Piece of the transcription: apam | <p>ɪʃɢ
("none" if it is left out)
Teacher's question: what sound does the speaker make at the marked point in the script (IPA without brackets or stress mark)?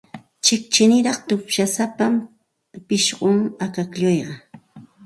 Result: p